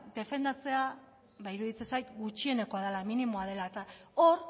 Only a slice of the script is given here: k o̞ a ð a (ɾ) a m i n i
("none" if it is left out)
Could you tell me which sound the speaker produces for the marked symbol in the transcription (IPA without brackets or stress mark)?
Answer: l